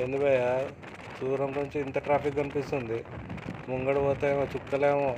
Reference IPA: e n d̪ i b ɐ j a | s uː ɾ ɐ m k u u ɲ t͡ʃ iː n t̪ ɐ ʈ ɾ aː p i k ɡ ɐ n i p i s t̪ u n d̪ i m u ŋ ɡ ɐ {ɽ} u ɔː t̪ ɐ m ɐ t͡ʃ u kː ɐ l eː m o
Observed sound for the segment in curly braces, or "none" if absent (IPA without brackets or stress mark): ɽ